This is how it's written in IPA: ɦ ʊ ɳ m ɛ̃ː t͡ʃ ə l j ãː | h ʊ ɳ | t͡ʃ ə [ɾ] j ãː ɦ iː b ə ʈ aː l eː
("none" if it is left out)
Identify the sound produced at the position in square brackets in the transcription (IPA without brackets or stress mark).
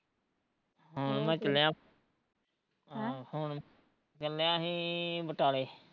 l